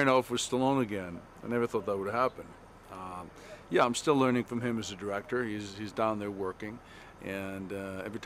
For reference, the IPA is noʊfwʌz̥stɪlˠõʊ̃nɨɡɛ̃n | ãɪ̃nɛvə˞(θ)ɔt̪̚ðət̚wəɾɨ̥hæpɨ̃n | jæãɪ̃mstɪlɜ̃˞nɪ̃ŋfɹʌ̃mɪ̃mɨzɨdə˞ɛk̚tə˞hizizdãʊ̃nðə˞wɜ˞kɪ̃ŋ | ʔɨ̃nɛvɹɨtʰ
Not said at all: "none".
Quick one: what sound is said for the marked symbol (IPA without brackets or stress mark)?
θ